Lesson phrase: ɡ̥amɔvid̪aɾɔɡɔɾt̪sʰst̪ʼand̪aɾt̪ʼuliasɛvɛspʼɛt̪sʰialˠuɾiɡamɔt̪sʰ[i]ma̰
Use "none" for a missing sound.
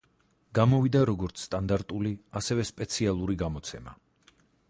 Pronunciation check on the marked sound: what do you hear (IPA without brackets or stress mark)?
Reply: ɛ